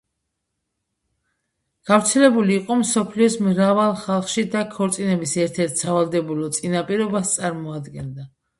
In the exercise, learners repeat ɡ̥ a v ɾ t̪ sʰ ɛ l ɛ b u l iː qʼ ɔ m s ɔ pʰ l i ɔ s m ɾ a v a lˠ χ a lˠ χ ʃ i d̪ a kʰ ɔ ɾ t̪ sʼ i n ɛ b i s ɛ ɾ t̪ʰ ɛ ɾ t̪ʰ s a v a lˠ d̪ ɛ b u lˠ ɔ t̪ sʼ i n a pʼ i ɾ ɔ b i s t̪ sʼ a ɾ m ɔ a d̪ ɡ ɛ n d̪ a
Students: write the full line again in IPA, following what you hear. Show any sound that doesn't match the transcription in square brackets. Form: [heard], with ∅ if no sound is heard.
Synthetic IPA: ɡ̥ a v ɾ t̪ sʰ ɛ l ɛ b u l iː qʼ ɔ m s ɔ pʰ l i ɔ s m ɾ a v a lˠ χ a lˠ χ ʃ i d̪ a kʰ ɔ ɾ t̪ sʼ i n ɛ b i s ɛ ɾ t̪ʰ ɛ ɾ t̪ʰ s a v a lˠ d̪ ɛ b u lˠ ɔ t̪ sʼ i n a pʼ i ɾ ɔ b [a] s t̪ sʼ a ɾ m ɔ a d̪ ɡ ɛ n d̪ a